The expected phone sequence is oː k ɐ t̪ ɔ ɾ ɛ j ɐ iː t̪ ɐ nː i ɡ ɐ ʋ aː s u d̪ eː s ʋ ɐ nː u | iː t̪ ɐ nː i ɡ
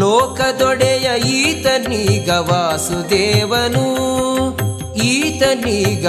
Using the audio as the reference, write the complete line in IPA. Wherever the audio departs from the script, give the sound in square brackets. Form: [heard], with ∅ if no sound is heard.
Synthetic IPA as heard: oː k ɐ [d̪] ɔ [ɽ] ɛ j ɐ iː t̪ ɐ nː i ɡ ɐ ʋ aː s u d̪ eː [∅] ʋ ɐ [n] u | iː t̪ ɐ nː i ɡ